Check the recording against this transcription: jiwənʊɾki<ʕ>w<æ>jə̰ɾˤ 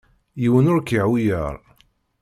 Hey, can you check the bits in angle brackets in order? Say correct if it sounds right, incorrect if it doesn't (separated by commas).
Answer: correct, incorrect